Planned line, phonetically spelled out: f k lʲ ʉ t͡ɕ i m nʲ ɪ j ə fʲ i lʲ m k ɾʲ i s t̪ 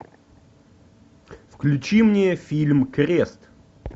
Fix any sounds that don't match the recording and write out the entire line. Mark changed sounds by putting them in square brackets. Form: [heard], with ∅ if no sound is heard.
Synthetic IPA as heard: f k lʲ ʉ t͡ɕ i m nʲ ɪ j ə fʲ i lʲ m k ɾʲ [e] s t̪